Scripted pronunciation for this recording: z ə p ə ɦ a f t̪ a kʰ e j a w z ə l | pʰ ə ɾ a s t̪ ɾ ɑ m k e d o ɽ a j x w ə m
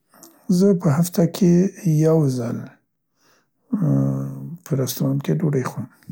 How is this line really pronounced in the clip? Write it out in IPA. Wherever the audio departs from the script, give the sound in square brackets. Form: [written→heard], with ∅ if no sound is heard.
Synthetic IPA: z ə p ə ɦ a f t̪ a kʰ e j a w z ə l | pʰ ə ɾ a s t̪ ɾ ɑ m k e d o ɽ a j x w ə m